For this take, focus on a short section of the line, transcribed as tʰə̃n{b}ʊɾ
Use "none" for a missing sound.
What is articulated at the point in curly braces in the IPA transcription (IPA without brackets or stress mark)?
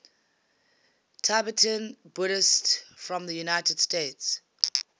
b